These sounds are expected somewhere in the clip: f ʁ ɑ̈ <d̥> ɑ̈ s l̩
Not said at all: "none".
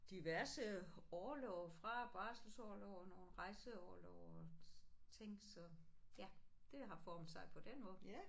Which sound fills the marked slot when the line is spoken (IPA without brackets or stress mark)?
b̥